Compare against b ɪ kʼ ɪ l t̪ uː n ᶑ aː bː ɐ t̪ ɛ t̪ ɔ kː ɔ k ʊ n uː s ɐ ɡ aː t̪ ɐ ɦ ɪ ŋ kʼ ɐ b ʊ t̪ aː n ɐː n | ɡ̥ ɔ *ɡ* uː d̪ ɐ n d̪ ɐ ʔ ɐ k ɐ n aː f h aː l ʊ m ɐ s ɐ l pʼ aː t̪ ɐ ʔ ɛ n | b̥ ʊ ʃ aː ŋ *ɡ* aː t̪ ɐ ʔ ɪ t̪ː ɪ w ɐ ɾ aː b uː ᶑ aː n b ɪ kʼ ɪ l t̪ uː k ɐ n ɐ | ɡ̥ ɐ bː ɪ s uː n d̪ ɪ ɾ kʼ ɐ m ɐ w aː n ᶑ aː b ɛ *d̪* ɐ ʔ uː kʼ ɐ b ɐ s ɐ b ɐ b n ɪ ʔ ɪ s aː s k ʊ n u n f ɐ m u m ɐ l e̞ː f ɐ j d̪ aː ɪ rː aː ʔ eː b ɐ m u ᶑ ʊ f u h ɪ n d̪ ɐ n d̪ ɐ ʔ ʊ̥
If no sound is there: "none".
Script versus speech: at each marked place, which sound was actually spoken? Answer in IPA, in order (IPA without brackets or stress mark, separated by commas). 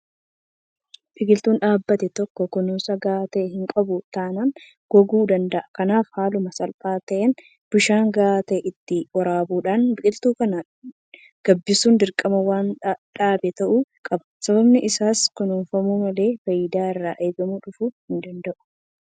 ɡ, ɡ, t̪